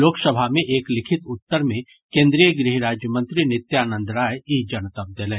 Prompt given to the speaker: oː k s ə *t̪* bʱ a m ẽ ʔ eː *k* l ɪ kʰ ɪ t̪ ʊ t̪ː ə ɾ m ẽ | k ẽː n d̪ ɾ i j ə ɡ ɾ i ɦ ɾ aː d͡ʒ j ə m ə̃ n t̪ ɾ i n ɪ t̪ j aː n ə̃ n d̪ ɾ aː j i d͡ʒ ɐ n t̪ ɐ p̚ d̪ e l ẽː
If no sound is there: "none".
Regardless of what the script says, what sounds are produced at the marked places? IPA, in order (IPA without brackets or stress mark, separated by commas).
none, k